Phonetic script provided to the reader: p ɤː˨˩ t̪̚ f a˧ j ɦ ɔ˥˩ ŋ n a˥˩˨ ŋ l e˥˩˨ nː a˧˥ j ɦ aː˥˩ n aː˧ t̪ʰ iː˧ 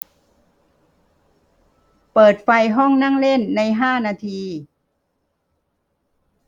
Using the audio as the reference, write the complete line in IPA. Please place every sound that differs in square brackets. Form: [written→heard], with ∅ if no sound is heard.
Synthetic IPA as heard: p ɤː˨˩ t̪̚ f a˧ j ɦ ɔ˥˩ ŋ n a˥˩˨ ŋ l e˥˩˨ nː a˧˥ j ɦ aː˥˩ n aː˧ t̪ʰ iː˧